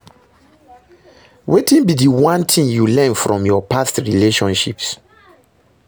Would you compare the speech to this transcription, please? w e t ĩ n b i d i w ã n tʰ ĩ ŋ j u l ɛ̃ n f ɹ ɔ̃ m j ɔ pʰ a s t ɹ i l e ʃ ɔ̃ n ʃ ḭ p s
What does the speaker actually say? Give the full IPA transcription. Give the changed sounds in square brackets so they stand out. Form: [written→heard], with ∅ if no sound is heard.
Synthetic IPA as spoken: w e t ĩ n b i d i w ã n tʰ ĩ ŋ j u l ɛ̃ n f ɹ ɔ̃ m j ɔ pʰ a s t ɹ i l e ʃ ɔ̃ n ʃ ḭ p s